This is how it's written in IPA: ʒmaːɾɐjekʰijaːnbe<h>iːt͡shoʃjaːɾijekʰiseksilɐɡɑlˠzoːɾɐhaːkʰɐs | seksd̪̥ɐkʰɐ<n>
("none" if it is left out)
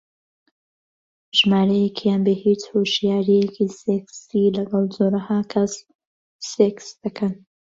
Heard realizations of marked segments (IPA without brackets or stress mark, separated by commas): h, n